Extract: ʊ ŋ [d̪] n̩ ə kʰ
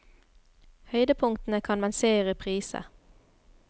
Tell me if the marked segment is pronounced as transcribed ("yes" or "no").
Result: no